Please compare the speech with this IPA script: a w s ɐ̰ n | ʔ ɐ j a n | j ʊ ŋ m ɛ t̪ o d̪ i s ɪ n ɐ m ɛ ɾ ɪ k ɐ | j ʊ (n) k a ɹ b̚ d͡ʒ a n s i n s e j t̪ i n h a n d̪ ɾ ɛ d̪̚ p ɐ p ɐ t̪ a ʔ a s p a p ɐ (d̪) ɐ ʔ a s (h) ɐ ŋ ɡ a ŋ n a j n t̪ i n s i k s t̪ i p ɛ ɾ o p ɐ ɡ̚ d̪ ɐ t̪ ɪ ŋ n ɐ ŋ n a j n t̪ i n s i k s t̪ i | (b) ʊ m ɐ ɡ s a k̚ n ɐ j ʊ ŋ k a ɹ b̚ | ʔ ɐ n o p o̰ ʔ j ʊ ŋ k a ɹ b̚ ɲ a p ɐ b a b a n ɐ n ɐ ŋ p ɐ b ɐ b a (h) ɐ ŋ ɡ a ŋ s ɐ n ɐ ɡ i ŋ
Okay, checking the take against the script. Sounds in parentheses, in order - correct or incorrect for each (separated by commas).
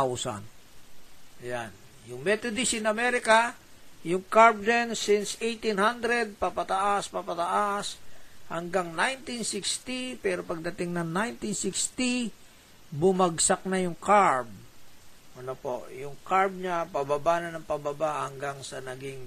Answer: incorrect, incorrect, correct, correct, correct